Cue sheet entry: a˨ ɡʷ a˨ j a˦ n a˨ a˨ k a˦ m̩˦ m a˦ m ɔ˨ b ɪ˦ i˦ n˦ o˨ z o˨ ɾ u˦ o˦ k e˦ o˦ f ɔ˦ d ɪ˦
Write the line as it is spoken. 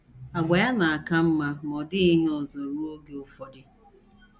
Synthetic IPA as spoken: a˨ ɡʷ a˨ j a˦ n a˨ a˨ k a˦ m̩˦ m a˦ m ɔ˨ d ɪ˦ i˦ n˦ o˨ z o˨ ɾ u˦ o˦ ɡ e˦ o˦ f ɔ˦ d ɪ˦